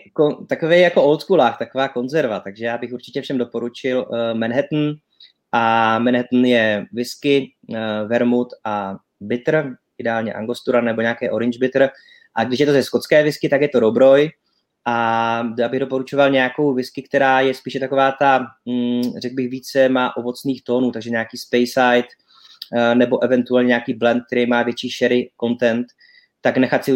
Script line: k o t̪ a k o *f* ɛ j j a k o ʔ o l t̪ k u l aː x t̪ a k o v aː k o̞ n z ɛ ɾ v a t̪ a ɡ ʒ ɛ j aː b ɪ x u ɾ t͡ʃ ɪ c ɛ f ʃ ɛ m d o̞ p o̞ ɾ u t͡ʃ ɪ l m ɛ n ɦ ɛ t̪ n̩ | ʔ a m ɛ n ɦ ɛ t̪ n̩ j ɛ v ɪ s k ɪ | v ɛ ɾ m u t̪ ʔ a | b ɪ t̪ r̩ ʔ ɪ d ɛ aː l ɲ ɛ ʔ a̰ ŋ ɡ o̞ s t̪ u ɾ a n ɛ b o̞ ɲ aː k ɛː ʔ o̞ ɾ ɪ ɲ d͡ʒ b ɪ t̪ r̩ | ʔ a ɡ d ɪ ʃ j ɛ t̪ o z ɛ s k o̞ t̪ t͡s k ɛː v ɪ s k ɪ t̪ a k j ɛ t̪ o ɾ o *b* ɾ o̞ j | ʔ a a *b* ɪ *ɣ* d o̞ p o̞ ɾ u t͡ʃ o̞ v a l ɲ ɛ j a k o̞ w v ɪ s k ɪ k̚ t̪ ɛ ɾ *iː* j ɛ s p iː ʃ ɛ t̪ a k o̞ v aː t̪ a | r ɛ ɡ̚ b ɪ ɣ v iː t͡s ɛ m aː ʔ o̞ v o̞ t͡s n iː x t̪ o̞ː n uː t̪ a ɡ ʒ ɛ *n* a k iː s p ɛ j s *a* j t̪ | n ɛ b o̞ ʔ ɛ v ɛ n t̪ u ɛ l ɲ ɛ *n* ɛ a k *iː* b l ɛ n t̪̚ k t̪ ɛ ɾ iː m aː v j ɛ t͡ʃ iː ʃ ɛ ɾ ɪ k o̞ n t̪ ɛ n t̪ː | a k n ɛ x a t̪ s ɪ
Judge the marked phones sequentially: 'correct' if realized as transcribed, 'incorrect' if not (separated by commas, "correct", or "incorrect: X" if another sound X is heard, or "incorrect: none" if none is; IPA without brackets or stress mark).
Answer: incorrect: v, correct, correct, correct, incorrect: aː, incorrect: ɲ, correct, incorrect: ɲ, correct